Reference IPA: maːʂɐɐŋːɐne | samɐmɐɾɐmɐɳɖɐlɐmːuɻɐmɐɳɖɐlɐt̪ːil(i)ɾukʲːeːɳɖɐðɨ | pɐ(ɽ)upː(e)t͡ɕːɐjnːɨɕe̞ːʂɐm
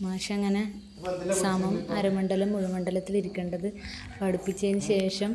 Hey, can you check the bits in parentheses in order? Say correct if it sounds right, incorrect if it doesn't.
correct, correct, incorrect: i

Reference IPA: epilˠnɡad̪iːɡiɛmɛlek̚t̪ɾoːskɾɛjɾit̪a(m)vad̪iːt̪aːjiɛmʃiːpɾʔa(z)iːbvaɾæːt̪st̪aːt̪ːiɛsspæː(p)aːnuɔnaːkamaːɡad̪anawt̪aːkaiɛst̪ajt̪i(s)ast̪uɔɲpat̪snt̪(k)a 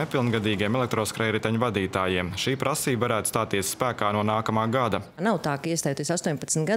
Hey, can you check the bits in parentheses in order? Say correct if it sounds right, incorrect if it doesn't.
incorrect: ɲ, incorrect: s, incorrect: k, correct, incorrect: ɡ

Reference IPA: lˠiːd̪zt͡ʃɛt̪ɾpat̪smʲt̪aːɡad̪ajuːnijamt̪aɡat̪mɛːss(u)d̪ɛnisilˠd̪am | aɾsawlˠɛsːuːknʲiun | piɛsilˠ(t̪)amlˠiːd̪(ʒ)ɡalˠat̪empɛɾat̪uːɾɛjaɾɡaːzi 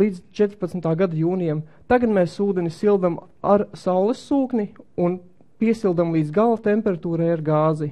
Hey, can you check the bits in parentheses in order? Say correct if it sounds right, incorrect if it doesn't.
incorrect: uː, incorrect: d̪, incorrect: z

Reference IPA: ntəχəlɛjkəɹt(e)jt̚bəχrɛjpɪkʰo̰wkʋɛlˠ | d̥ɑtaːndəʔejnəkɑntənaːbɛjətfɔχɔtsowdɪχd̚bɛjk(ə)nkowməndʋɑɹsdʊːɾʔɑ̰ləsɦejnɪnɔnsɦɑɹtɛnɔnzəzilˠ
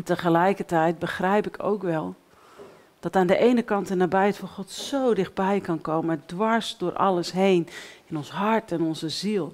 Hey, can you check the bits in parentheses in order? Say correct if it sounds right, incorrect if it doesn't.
incorrect: ɛ, incorrect: ɑ

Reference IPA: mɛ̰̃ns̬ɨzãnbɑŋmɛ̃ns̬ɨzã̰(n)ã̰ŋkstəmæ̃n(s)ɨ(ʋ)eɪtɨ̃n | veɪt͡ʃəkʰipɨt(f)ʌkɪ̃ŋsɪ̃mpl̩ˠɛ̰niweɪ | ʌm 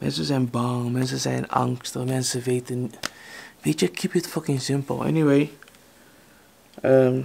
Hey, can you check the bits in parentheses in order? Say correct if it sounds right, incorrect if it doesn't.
correct, correct, incorrect: v, correct

